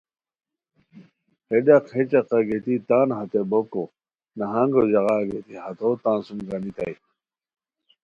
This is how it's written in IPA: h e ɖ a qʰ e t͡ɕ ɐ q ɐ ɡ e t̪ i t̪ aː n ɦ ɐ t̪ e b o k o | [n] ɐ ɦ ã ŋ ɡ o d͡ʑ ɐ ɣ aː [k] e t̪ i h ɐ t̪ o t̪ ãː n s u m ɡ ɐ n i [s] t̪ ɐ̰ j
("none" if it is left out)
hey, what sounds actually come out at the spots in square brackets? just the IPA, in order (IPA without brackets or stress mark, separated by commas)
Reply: n, ɡ, none